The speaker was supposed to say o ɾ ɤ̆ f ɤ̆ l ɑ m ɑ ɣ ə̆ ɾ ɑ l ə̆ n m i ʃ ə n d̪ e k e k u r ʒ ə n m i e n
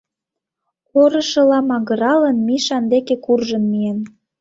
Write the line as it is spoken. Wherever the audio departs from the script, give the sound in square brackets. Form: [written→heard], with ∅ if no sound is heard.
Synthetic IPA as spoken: o ɾ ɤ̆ [f→ʃ] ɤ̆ l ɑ m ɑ ɣ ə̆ ɾ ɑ l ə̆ n m i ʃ [ə→ɑ] n d̪ e k e k u r ʒ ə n m i e n